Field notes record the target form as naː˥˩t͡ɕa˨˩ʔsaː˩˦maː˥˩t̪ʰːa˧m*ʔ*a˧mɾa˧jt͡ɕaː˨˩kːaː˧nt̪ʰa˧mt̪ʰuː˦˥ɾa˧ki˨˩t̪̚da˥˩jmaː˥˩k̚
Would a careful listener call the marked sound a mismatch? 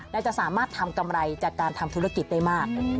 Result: yes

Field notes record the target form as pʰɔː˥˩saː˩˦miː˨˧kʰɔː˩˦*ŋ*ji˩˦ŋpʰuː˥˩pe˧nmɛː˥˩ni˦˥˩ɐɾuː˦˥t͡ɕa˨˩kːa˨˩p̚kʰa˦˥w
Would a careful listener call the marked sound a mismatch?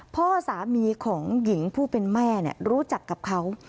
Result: no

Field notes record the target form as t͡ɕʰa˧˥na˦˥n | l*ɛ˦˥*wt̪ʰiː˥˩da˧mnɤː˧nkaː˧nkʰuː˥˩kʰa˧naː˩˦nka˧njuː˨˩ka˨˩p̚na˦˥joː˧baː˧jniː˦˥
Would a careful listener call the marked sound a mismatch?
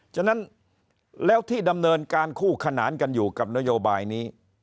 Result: yes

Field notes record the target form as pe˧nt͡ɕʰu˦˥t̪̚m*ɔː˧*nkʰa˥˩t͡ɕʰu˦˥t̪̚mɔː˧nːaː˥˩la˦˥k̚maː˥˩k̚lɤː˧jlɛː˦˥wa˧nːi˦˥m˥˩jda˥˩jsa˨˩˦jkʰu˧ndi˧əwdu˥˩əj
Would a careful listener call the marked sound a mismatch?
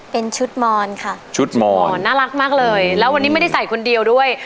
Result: no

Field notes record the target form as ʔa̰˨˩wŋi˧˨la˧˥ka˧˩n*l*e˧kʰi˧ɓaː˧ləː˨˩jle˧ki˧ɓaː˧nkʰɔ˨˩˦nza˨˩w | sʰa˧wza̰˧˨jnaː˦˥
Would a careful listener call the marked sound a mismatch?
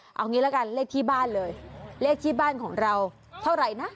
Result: no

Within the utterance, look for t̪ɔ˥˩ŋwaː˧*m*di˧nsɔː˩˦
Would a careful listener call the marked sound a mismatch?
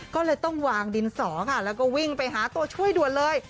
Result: yes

